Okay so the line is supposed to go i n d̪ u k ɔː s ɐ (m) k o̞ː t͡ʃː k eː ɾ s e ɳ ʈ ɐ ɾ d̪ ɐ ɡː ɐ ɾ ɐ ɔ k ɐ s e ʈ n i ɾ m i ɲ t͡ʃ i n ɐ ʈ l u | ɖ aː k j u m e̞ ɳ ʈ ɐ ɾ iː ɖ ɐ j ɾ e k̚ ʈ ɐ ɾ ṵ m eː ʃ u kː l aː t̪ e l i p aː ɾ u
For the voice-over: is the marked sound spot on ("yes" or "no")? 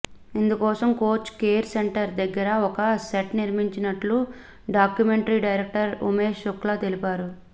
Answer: yes